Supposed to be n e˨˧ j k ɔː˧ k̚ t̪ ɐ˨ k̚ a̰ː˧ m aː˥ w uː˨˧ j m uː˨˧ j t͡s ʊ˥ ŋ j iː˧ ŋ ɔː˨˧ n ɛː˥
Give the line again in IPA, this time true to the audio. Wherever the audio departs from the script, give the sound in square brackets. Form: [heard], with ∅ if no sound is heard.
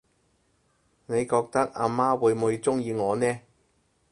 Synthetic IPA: n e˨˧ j k ɔː˧ k̚ t̪ [ɐ˥] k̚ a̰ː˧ m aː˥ w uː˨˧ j m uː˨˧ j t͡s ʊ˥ ŋ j iː˧ ŋ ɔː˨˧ n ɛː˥